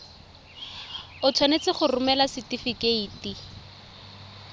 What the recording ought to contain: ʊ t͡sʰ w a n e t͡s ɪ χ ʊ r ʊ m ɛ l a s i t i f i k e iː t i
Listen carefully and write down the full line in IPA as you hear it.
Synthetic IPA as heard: ʊ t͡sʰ w a n e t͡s ɪ χ ʊ r ʊ m ɛ l a s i t i f i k e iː t i